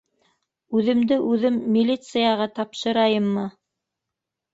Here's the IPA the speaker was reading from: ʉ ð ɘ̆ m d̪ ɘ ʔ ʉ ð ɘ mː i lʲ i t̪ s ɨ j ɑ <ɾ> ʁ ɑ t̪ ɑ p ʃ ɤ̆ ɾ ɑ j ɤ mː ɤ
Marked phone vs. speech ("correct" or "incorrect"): incorrect